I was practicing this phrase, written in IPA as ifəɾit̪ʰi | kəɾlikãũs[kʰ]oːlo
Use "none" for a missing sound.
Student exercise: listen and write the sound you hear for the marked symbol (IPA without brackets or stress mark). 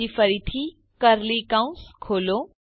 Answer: kʰ